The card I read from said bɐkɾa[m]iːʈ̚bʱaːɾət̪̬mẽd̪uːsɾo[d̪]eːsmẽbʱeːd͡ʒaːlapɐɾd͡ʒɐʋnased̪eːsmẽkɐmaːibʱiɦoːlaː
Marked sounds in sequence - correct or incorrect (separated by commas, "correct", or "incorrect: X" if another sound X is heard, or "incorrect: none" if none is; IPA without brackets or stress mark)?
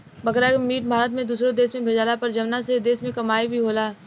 correct, correct